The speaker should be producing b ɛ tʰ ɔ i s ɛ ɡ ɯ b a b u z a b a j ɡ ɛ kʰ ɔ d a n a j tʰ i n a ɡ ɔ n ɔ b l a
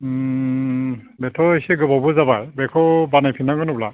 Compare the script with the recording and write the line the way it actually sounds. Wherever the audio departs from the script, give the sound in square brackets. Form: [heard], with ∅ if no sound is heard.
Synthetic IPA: b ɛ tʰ ɔ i s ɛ ɡ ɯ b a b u z a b a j [b] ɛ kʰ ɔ [b] a n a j [pʰ] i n a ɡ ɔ n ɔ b l a

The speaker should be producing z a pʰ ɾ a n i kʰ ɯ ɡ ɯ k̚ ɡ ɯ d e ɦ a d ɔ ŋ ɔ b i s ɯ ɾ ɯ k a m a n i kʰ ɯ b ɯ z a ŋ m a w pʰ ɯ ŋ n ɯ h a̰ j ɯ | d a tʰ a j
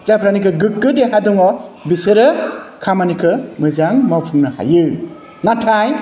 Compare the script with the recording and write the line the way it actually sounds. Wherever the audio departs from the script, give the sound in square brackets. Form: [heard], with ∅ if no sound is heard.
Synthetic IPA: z a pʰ ɾ a n i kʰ ɯ ɡ ɯ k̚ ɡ ɯ d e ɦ a d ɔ ŋ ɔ b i s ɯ ɾ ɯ [kʰ] a m a n i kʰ ɯ [m] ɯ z a ŋ m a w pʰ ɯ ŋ n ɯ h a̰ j ɯ | [n] a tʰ a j

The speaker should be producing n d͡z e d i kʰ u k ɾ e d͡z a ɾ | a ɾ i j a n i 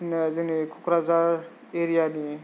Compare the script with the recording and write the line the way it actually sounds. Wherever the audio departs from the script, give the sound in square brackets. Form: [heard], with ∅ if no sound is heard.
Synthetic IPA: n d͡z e [n] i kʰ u k ɾ [a] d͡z a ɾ | [e] ɾ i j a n i

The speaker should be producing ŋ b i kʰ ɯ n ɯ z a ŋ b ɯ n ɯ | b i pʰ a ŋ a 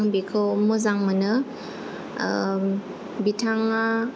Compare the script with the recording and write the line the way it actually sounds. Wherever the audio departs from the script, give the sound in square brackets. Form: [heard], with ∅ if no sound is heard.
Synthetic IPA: ŋ b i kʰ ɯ [m] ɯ z a ŋ [m] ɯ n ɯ | b i [tʰ] a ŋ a

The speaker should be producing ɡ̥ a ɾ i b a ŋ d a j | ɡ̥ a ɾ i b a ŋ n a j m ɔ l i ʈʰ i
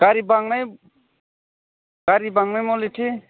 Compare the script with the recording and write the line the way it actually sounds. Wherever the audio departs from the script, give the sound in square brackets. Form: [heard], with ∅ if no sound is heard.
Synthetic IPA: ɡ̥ a ɾ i b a ŋ [n] a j | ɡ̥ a ɾ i b a ŋ n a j m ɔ l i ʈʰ i

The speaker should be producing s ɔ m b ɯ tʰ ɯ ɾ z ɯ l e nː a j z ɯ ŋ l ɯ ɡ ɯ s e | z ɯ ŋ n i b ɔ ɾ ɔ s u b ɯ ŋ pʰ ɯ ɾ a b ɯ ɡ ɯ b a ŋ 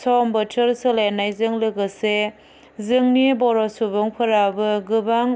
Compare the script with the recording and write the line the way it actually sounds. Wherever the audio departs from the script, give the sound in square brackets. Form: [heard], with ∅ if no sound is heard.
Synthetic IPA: s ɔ m b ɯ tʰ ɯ ɾ [s] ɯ l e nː a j z ɯ ŋ l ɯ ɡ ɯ s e | z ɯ ŋ n i b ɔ ɾ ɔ s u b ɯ ŋ pʰ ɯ ɾ a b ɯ ɡ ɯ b a ŋ

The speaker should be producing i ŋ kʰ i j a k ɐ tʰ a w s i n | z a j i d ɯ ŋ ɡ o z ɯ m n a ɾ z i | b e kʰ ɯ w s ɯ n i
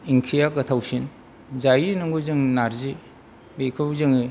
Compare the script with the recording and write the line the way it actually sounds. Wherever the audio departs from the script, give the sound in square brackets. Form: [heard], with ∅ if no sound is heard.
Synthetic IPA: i ŋ kʰ i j a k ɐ tʰ a w s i n | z a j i [n] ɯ ŋ ɡ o z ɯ [ŋ] n a ɾ z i | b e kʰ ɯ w [z] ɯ [ŋ] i

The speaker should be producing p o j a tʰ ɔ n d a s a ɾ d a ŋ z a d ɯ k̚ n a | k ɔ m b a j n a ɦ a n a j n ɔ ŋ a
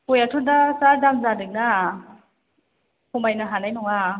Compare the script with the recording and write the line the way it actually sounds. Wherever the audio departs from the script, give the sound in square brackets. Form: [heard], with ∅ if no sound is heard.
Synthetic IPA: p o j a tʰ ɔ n d a s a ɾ d a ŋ z a d ɯ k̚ n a | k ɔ m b a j n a ɦ a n a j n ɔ ŋ a

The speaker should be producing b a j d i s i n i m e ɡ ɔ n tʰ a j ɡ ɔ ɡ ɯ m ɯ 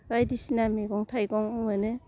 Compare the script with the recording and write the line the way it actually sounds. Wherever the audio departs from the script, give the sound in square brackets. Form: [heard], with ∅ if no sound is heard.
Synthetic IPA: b a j d i s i n [a] m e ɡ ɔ [ŋ] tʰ a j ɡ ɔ [ŋ] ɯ [n] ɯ

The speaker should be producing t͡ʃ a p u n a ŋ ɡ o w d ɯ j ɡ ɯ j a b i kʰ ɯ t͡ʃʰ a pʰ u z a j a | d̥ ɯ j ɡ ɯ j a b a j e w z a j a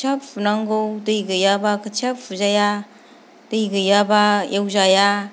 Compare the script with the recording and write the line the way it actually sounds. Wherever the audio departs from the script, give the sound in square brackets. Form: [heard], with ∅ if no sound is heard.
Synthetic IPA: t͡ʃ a p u n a ŋ ɡ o w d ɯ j ɡ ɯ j a b [a] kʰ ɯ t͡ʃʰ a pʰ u z a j a | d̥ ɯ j ɡ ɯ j a b a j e w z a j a

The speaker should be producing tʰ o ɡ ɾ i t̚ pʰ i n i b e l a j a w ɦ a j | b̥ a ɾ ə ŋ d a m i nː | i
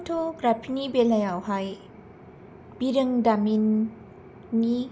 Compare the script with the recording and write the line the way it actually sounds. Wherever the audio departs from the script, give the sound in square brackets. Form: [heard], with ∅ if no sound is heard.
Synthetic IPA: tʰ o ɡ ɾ [a] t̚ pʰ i n i b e l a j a w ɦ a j | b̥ [i] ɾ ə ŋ d a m i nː | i

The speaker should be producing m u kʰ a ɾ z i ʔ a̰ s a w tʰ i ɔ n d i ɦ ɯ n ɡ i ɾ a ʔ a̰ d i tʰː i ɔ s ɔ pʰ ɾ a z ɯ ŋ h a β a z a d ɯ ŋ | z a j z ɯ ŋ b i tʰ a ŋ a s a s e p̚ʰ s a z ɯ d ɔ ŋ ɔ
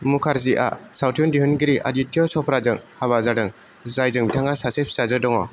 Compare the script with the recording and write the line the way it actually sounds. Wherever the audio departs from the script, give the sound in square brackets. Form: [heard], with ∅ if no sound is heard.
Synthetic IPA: m u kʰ a ɾ z i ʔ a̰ s a w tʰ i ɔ n d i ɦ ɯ n ɡ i ɾ [i] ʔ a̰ d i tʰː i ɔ s ɔ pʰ ɾ a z ɯ ŋ h a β a z a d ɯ ŋ | z a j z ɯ ŋ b i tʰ a ŋ a s a s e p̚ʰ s a z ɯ d ɔ ŋ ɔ

